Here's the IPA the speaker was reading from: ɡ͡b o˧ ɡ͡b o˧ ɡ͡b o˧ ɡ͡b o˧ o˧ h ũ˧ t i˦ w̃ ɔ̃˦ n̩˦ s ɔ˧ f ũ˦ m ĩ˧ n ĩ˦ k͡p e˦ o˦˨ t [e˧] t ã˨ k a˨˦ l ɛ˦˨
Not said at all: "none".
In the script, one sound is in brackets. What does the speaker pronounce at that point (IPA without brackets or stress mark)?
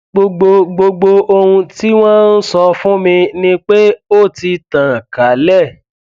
i˧